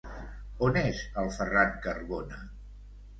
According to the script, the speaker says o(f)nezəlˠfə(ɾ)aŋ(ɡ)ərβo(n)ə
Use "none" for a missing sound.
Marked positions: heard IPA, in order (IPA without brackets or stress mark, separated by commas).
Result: none, r, k, n